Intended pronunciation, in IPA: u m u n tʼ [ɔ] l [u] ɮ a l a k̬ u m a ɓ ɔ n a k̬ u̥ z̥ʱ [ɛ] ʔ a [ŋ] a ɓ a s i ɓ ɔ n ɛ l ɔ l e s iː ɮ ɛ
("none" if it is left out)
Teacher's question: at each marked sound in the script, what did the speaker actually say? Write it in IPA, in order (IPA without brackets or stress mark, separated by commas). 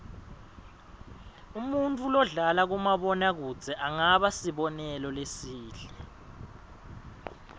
u, ɔ, ɛ, ŋ